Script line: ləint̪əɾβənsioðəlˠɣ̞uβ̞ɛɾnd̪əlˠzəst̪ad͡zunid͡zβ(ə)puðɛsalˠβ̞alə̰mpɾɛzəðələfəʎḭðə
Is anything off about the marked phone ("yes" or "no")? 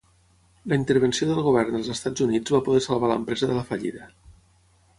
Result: yes